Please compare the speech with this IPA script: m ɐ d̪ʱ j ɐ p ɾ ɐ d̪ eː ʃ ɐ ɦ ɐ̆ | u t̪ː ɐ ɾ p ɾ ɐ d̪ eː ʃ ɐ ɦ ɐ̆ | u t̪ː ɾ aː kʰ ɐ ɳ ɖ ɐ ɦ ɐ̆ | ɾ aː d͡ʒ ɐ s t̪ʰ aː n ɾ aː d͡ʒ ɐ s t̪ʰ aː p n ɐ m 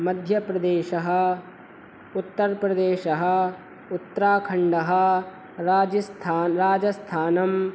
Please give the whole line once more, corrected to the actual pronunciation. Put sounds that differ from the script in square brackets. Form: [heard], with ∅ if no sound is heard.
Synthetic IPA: m ɐ d̪ʱ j ɐ p ɾ ɐ d̪ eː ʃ ɐ ɦ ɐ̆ | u t̪ː ɐ ɾ p ɾ ɐ d̪ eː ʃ ɐ ɦ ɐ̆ | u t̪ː ɾ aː kʰ ɐ ɳ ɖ ɐ ɦ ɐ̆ | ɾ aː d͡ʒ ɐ s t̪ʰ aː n ɾ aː d͡ʒ ɐ s t̪ʰ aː [∅] n ɐ m

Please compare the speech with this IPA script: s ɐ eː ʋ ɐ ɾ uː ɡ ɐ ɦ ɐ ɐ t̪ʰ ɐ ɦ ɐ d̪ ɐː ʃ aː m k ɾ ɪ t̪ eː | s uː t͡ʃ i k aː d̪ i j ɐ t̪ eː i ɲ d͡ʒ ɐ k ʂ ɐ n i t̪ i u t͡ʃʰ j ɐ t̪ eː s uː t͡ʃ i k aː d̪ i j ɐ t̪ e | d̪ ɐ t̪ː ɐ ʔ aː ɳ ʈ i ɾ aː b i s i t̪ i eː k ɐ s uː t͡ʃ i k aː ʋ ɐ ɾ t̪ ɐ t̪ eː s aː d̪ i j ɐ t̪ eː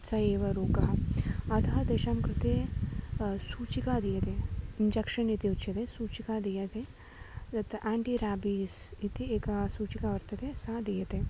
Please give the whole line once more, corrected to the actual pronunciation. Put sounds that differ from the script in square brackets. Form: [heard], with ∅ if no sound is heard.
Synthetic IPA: s ɐ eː ʋ ɐ ɾ uː [k] ɐ ɦ ɐ ɐ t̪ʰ ɐ ɦ ɐ d̪ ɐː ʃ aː m k ɾ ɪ t̪ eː | s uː t͡ʃ i k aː d̪ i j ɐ t̪ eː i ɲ d͡ʒ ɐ k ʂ ɐ n i t̪ i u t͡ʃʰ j ɐ t̪ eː s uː t͡ʃ i k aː d̪ i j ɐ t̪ e | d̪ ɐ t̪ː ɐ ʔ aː ɳ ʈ i ɾ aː b i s i t̪ i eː k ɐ s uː t͡ʃ i k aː ʋ ɐ ɾ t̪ ɐ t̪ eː s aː d̪ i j ɐ t̪ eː

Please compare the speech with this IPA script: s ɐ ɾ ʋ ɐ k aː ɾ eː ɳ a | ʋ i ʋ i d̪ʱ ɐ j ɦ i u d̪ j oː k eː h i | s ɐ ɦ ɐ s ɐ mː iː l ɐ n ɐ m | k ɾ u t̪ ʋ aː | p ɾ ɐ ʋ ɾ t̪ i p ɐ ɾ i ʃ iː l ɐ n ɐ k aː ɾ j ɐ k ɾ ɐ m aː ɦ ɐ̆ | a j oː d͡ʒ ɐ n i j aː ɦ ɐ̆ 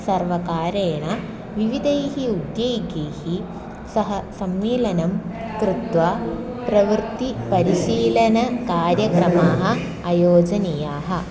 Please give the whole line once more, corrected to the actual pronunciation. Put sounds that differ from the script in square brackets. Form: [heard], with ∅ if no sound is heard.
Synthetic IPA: s ɐ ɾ ʋ ɐ k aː ɾ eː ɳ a | ʋ i ʋ i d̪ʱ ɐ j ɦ i u d̪ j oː [ɡ] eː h i | s ɐ ɦ ɐ s ɐ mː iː l ɐ n ɐ m | k ɾ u t̪ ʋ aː | p ɾ ɐ ʋ ɾ t̪ i p ɐ ɾ i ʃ iː l ɐ n ɐ k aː ɾ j ɐ k ɾ ɐ m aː ɦ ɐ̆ | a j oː d͡ʒ ɐ n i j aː ɦ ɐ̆

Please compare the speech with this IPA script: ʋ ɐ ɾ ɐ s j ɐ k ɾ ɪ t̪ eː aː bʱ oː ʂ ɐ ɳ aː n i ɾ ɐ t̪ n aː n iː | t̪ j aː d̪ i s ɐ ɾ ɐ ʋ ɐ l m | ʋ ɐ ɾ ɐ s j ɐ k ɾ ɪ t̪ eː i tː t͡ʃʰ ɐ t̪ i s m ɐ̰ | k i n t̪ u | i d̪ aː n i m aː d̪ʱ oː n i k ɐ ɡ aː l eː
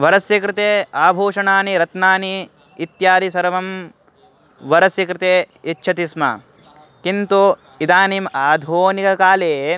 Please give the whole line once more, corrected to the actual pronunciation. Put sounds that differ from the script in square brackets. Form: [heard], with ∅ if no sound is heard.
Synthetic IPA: ʋ ɐ ɾ ɐ s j ɐ k ɾ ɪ t̪ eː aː bʱ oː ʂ ɐ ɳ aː n i ɾ ɐ t̪ n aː n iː | t̪ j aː d̪ i s ɐ ɾ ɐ ʋ ɐ [∅] m | ʋ ɐ ɾ ɐ s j ɐ k ɾ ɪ t̪ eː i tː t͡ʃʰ ɐ t̪ i s m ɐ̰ | k i n t̪ u | i d̪ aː n i m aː d̪ʱ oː n i k ɐ [k] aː l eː

